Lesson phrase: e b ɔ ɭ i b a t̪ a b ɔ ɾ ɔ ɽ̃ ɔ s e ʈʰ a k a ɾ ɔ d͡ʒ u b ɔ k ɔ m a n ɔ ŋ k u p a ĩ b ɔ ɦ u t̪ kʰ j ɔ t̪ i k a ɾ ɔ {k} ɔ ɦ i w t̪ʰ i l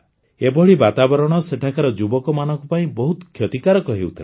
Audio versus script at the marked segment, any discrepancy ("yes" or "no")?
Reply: no